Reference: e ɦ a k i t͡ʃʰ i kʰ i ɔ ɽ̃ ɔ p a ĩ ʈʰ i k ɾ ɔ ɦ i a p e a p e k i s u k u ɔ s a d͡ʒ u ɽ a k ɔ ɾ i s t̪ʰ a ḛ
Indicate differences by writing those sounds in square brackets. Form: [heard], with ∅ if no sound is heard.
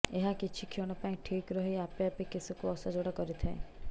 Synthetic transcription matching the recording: e ɦ a k i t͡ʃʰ i kʰ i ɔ ɽ̃ ɔ p a ĩ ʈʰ i k ɾ ɔ ɦ i a p e a p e k i s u k u ɔ s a d͡ʒ [o] ɽ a k ɔ ɾ i [∅] t̪ʰ a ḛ